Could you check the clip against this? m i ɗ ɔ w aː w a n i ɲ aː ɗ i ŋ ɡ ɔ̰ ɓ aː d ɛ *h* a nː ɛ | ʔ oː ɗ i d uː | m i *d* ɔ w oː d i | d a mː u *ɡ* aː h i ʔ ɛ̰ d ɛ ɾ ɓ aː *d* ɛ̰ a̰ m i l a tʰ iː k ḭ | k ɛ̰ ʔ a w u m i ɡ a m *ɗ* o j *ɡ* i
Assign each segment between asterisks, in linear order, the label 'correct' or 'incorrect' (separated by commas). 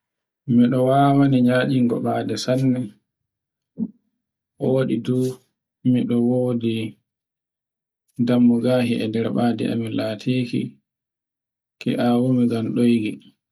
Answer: incorrect, incorrect, correct, correct, correct, correct